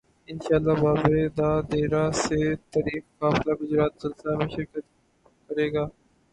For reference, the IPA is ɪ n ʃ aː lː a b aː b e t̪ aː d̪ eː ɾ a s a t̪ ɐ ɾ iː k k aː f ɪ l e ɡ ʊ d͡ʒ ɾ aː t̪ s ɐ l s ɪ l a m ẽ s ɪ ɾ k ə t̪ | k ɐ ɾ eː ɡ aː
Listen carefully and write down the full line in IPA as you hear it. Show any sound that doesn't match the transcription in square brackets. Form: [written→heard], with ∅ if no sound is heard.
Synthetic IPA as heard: ɪ n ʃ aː lː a b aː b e [t̪→d̪] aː d̪ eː ɾ a s [a→e] t̪ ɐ ɾ iː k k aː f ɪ l [e→a] ɡ ʊ d͡ʒ ɾ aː t̪ s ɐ l s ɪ l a m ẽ [s→ʃ] ɪ ɾ k ə t̪ | k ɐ ɾ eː ɡ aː